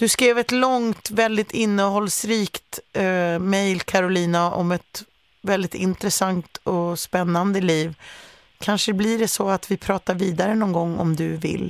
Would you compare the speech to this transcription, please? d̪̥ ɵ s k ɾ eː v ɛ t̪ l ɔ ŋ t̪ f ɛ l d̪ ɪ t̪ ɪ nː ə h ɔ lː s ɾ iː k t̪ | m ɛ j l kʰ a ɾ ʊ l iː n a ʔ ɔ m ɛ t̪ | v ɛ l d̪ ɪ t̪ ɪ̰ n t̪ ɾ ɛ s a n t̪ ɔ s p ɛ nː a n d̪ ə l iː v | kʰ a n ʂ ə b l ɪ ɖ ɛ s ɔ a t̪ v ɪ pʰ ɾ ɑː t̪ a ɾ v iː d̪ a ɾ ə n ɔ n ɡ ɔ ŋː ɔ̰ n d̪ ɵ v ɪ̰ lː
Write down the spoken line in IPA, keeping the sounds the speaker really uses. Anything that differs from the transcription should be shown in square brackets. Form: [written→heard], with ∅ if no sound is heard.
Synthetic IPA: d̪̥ ɵ s k ɾ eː v ɛ t̪ l ɔ ŋ t̪ [f→v] ɛ l d̪ ɪ t̪ ɪ nː ə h ɔ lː s ɾ iː k t̪ | m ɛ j l kʰ a ɾ ʊ l iː n a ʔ ɔ m ɛ t̪ | v ɛ l d̪ ɪ t̪ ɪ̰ n t̪ ɾ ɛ s a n t̪ ɔ s p ɛ nː a n d̪ ə l iː v | kʰ a n ʂ ə b l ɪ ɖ ɛ s ɔ a t̪ v ɪ pʰ ɾ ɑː t̪ a ɾ v iː d̪ a ɾ ə n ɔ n ɡ ɔ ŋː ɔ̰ [n→m] d̪ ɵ v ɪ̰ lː